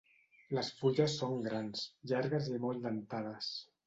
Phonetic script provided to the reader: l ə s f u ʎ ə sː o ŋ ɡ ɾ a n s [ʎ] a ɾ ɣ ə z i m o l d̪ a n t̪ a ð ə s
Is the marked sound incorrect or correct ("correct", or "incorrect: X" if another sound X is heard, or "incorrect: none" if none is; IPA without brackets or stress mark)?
correct